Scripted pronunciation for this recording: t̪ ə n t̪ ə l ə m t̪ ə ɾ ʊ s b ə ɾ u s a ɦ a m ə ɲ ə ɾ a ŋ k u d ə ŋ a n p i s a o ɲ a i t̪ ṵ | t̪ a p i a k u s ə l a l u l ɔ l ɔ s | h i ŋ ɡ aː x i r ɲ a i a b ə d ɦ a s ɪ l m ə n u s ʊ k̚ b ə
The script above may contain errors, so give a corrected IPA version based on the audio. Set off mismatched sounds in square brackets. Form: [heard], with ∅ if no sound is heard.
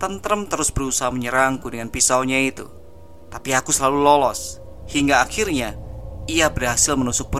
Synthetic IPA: t̪ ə n t̪ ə [ɾ] ə m t̪ ə ɾ ʊ s b ə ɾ u s a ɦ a m ə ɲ ə ɾ a ŋ k u d ə ŋ a n p i s a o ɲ a i t̪ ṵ | t̪ a p i a k u s ə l a l u l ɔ l ɔ s | h i ŋ ɡ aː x i r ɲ a i a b ə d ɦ a s ɪ l m ə n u s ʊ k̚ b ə